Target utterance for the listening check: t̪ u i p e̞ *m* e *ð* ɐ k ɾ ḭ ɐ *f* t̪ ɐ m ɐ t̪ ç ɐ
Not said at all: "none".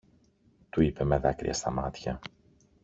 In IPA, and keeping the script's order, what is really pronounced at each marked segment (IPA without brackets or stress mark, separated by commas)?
m, ð, s